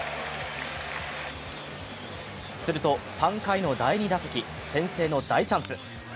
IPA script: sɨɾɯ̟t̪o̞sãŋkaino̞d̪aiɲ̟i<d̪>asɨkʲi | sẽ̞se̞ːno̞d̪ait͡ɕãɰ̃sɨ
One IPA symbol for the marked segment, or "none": d̪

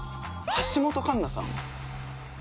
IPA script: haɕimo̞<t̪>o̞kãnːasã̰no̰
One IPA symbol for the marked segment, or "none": t̪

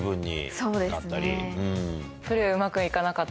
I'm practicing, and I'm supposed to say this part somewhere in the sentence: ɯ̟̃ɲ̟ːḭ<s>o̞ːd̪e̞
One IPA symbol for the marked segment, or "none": s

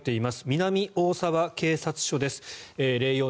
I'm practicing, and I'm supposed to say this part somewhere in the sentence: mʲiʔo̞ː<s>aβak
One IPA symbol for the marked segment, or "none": s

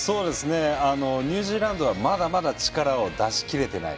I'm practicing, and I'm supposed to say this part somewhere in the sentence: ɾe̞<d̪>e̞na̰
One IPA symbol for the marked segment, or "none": t̪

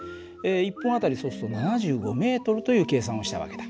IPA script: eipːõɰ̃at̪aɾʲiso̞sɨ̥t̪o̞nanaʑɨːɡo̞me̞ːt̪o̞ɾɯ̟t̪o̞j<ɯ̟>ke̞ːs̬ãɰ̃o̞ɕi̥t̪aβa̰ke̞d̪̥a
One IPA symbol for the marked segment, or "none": ɯ̟ː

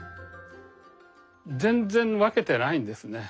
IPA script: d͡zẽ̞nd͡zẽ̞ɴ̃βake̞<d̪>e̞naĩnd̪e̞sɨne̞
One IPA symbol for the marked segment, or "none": t̪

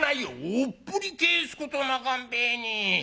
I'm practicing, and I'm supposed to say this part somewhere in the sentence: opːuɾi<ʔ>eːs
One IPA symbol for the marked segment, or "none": k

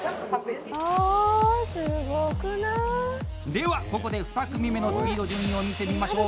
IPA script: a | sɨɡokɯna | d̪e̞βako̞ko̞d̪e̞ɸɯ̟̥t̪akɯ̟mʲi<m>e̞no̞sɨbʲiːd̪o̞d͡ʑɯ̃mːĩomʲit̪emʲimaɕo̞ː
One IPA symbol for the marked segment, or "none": m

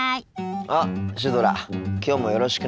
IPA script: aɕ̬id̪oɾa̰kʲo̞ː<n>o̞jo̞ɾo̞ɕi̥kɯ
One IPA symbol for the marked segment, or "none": m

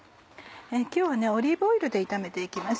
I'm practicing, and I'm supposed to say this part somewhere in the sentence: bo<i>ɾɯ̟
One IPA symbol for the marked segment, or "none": i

